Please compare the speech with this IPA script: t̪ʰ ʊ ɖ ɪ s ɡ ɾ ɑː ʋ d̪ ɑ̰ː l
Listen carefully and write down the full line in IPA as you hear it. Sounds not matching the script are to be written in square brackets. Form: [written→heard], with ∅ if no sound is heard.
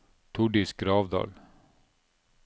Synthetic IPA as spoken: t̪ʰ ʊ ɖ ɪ s ɡ ɾ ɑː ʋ d̪ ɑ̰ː l